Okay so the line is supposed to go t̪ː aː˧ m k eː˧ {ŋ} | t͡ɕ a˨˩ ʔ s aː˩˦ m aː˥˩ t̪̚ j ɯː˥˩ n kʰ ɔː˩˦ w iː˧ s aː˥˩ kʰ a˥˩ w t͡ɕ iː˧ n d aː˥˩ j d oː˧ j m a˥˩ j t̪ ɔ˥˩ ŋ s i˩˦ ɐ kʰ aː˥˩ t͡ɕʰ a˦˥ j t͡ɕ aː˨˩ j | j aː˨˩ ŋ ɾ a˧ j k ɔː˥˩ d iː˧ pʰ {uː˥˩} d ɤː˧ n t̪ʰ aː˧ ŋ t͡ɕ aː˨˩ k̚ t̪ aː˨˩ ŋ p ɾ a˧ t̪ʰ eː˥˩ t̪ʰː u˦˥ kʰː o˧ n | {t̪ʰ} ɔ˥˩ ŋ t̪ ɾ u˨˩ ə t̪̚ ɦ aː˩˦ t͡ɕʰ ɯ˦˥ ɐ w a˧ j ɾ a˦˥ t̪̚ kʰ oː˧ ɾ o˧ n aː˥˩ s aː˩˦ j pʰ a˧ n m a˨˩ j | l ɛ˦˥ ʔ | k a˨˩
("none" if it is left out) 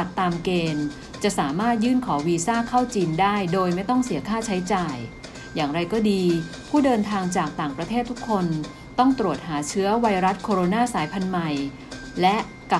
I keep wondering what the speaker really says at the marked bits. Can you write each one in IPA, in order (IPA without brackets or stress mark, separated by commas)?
n, uː˥˩, t̪